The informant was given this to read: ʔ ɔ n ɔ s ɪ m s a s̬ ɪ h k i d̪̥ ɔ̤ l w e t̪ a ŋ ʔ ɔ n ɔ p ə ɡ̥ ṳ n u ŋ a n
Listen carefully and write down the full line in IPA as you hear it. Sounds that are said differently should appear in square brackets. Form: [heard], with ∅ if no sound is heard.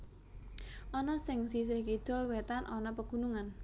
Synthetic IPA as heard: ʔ ɔ n ɔ s ɪ [ŋ] s [i] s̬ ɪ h k i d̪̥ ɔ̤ l w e t̪ a [n] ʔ ɔ n ɔ p ə ɡ̥ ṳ n u ŋ a n